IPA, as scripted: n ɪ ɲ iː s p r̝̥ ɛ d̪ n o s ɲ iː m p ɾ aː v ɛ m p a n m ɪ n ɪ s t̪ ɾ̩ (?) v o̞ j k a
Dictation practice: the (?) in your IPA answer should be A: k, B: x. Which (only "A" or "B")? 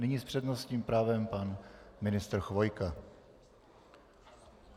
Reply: B